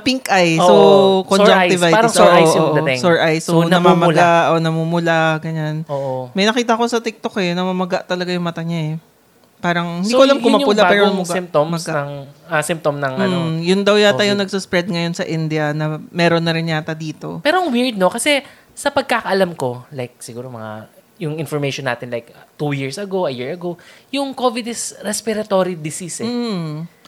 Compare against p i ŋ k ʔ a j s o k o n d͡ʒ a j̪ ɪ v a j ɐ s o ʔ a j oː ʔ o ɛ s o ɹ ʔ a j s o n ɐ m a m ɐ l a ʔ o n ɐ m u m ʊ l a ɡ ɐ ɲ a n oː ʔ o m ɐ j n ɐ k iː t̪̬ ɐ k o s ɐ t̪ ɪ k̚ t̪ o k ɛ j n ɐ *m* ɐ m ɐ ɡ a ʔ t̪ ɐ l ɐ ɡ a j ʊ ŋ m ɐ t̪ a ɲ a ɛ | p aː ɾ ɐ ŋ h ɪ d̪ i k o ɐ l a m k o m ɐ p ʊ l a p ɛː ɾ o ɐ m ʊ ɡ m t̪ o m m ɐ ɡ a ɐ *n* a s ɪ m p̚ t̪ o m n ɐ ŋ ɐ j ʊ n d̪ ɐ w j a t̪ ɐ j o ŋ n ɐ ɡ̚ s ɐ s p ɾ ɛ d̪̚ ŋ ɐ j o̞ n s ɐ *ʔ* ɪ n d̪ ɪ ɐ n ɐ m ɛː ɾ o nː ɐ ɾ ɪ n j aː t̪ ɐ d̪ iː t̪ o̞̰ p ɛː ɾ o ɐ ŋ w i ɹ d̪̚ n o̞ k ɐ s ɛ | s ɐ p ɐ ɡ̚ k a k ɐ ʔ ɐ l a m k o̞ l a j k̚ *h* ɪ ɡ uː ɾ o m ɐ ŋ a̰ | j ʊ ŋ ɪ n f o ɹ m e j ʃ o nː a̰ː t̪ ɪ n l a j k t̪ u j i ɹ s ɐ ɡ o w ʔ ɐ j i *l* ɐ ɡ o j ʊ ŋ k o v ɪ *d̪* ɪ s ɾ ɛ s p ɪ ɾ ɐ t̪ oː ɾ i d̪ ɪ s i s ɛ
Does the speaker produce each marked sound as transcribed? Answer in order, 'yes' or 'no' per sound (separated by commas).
yes, no, yes, no, no, yes